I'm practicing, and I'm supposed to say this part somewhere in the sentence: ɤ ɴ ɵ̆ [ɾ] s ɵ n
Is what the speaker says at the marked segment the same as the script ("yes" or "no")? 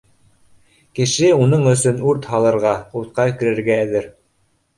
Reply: no